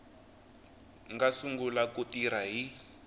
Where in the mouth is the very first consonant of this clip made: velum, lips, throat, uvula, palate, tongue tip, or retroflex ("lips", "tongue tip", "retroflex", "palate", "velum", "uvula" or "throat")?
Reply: velum